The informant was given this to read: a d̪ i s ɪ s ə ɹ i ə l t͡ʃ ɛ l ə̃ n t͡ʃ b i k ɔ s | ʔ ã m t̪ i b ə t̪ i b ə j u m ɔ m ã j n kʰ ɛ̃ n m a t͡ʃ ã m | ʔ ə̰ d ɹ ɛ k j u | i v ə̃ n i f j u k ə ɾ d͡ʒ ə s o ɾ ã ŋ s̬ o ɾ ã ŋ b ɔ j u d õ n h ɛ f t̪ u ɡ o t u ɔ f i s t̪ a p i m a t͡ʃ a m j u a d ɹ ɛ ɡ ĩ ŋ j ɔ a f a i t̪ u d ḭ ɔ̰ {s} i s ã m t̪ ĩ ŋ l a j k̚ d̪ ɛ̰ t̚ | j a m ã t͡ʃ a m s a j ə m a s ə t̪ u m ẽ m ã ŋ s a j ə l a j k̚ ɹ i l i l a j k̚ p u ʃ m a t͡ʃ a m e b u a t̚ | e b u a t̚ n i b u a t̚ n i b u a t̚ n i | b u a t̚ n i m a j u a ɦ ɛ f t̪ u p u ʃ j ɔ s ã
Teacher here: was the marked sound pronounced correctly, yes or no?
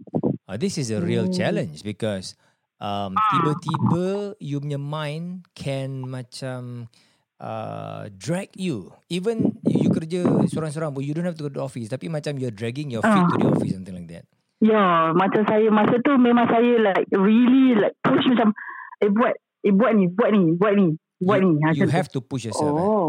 no